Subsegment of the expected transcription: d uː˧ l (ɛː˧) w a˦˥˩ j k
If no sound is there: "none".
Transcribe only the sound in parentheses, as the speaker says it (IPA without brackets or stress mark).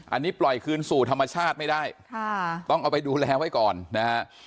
ɛː˧